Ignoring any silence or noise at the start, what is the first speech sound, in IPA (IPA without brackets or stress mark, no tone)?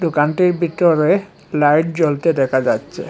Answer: d̪